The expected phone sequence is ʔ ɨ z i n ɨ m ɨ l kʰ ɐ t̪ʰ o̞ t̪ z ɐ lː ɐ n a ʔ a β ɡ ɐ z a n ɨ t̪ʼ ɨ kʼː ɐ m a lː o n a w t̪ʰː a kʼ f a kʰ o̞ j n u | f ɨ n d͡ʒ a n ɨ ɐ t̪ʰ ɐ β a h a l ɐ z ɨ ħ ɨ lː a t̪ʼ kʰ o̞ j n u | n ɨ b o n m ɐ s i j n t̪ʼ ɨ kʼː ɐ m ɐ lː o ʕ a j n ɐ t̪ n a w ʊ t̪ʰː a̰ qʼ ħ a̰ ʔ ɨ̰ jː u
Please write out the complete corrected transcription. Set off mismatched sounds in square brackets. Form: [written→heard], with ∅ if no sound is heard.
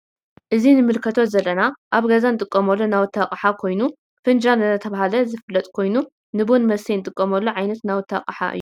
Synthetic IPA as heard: ʔ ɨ z i n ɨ m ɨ l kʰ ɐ t̪ʰ o̞ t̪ z ɐ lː ɐ n a ʔ a β ɡ ɐ z a n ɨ t̪ʼ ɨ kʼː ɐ m [a→ɐ] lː o n a w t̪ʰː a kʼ [f→ħ] a kʰ o̞ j n u | f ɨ n d͡ʒ a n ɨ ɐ t̪ʰ ɐ β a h a l ɐ z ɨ [ħ→f] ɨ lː [a→ɐ] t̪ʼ kʰ o̞ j n u | n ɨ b o n m ɐ s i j n t̪ʼ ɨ kʼː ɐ m ɐ lː o ʕ a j n ɐ t̪ n a w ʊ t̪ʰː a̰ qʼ ħ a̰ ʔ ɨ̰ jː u